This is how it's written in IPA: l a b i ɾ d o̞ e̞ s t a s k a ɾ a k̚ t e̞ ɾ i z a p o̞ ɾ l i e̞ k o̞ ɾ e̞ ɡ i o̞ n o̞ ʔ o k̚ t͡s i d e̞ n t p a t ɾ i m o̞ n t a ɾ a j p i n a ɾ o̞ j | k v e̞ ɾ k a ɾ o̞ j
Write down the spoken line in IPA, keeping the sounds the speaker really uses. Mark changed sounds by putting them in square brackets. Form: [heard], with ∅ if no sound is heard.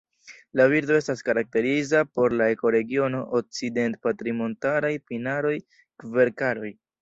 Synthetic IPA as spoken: l a [v] i ɾ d o̞ e̞ s t a s k a ɾ a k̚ t e̞ ɾ i z a p o̞ ɾ l [a] e̞ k o̞ ɾ e̞ ɡ i o̞ n o̞ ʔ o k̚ t͡s i d e̞ n t p a t ɾ i m o̞ n t a ɾ a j p i n a ɾ o̞ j | k v e̞ ɾ k a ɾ o̞ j